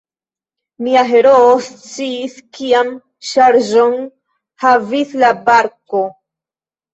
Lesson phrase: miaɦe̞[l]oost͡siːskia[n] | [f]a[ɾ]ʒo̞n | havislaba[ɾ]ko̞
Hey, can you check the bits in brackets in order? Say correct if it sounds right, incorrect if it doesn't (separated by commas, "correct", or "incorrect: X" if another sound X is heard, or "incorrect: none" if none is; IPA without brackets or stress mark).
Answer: incorrect: ɾ, incorrect: m, incorrect: ʃ, correct, correct